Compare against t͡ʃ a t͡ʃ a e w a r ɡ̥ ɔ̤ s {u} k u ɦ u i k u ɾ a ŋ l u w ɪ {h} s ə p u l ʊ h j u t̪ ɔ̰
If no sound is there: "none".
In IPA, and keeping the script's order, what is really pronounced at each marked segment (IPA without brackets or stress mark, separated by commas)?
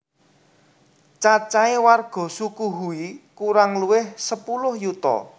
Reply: u, h